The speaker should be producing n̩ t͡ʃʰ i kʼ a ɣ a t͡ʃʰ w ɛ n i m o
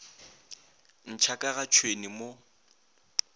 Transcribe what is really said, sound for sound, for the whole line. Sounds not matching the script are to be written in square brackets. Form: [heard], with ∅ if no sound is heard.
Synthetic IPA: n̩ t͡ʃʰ [a] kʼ a ɣ a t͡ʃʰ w [e] n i m o